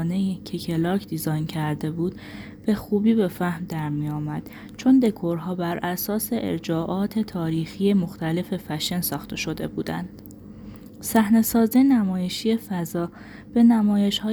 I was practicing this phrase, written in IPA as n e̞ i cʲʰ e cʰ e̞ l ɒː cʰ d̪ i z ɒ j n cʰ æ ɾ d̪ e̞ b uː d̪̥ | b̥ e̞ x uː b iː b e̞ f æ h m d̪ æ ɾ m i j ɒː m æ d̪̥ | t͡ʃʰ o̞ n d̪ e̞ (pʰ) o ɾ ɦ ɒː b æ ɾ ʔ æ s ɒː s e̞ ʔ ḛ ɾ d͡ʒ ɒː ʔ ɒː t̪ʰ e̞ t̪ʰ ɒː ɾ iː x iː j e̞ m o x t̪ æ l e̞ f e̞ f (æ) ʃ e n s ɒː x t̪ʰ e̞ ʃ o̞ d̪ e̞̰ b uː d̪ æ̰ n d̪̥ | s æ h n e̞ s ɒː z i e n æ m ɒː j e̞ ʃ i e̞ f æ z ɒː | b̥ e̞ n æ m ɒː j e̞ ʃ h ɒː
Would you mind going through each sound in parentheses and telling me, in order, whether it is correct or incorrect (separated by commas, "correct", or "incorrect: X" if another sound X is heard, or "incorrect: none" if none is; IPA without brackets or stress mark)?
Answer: incorrect: kʰ, correct